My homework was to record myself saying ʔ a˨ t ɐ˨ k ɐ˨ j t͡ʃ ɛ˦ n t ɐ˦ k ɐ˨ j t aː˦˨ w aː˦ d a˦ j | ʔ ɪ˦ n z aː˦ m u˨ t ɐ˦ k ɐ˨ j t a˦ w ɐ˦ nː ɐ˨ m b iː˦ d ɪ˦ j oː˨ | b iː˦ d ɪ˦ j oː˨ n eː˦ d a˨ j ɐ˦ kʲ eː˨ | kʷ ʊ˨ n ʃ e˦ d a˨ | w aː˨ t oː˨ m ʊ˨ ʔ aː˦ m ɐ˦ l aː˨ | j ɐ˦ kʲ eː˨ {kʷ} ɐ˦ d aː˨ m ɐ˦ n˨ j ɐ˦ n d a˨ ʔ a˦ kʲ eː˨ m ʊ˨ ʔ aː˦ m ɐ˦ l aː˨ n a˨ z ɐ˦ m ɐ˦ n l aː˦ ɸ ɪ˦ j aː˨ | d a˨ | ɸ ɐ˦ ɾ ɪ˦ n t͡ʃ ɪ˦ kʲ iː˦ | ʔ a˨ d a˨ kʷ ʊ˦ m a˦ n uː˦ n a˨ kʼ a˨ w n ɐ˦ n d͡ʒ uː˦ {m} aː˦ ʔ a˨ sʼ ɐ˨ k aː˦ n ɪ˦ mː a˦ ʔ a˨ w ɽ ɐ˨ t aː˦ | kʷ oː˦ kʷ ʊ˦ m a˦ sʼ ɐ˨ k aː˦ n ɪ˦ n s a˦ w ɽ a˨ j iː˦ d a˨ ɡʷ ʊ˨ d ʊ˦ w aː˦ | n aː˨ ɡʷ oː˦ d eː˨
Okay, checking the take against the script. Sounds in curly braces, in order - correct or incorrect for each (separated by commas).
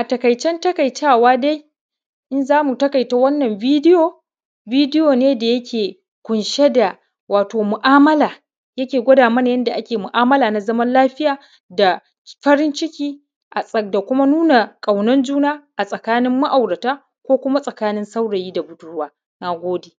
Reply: incorrect, incorrect